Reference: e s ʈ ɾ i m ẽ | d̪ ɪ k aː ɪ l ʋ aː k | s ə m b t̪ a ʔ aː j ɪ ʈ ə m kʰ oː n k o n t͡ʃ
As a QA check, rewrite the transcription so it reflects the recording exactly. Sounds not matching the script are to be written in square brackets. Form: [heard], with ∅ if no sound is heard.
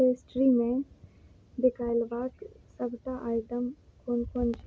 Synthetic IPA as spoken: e s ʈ ɾ i m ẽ | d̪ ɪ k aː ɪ l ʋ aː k | s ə [∅] b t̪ a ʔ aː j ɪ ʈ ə m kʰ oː n k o n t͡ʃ